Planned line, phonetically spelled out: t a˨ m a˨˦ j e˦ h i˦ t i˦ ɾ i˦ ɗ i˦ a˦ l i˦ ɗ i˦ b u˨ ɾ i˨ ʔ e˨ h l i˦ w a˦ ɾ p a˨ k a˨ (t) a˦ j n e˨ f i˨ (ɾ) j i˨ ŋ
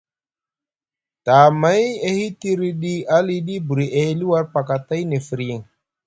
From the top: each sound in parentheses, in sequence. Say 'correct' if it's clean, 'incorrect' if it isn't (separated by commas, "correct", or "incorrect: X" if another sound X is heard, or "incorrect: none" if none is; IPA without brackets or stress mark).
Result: correct, correct